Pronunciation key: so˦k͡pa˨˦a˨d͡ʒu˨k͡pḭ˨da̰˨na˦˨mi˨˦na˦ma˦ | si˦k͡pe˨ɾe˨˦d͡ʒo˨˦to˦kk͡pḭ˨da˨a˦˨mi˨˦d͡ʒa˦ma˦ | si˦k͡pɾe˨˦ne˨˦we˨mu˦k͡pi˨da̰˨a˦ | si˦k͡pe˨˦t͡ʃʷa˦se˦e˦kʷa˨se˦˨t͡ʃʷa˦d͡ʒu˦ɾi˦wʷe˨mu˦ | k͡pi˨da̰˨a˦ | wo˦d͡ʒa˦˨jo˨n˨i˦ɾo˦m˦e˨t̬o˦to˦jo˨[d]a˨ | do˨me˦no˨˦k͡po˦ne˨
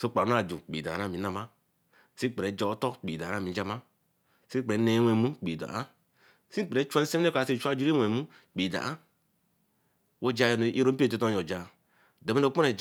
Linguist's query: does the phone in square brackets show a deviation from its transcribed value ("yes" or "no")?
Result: yes